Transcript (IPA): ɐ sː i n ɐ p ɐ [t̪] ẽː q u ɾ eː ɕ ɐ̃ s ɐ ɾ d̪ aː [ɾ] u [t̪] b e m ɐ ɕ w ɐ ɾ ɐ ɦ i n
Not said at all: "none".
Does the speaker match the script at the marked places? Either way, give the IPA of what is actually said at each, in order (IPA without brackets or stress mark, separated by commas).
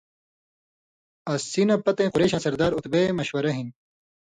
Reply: t̪, ɾ, t̪